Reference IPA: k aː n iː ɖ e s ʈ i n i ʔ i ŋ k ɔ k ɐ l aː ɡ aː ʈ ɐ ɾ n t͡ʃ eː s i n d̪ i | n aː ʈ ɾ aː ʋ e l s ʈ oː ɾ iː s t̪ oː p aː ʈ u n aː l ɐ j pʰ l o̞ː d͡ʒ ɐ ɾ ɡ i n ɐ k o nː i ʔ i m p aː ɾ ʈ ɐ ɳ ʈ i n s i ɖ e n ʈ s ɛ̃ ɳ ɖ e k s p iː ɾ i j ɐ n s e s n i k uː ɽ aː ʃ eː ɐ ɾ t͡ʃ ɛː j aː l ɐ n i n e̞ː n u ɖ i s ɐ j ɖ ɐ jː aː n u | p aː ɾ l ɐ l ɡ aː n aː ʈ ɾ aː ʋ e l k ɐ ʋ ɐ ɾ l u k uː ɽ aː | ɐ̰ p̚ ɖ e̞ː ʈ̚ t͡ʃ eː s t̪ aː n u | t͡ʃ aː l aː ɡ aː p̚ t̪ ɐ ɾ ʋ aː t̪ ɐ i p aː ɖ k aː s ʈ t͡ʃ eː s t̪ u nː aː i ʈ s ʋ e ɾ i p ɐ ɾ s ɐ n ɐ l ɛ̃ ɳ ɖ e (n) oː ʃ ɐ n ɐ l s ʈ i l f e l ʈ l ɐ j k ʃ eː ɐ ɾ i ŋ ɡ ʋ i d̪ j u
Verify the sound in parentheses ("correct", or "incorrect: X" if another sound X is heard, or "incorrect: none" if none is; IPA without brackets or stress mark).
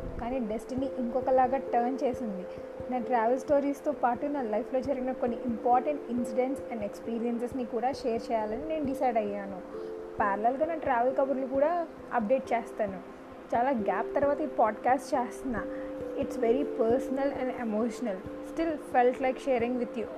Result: incorrect: m